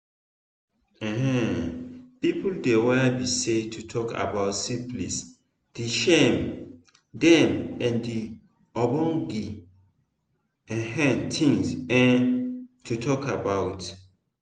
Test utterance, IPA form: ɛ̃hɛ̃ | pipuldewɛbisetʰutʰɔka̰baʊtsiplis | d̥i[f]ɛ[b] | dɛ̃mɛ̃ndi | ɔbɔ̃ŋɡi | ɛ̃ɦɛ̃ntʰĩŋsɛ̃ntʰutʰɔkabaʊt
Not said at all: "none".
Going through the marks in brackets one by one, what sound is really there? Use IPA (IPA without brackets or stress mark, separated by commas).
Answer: ʃ, m